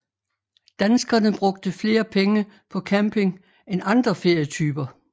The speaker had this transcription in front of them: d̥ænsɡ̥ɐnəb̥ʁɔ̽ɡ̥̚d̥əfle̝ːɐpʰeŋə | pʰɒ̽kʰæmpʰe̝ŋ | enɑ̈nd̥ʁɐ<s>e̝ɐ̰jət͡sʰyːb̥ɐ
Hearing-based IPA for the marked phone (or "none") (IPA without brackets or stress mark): f